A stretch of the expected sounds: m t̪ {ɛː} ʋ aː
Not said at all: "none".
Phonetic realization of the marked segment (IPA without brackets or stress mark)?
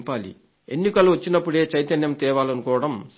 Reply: ɛː